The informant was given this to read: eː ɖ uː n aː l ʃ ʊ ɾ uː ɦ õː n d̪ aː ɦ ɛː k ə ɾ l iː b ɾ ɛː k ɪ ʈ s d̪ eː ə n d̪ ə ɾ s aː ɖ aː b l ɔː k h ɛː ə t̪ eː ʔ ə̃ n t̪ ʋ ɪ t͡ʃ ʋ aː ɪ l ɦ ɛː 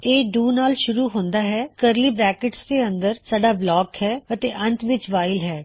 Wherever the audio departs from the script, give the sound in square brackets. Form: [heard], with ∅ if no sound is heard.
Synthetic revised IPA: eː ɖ uː n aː l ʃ ʊ ɾ uː ɦ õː n d̪ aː ɦ ɛː k ə ɾ l iː b ɾ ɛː k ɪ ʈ s d̪ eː ə n d̪ ə ɾ s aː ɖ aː b l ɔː k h ɛː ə t̪ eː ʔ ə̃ n t̪ ʋ ɪ t͡ʃ ʋ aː ɪ l ɦ ɛː